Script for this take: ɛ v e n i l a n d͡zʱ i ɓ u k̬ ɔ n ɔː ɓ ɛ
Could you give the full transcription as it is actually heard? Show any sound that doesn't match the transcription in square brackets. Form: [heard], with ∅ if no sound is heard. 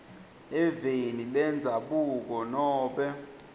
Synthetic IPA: ɛ v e n i l [ɛ] n d͡zʱ [a] ɓ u k̬ ɔ n ɔː ɓ ɛ